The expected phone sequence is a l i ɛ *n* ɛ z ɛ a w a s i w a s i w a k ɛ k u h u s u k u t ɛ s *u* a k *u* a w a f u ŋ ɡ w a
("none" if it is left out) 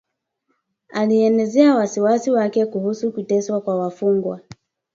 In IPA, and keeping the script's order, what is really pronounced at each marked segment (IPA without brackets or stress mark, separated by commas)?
n, w, w